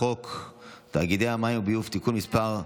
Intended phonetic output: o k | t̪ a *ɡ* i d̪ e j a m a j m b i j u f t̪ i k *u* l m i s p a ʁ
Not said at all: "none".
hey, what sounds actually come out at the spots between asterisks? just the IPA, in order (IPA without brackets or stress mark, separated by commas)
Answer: ɡ, u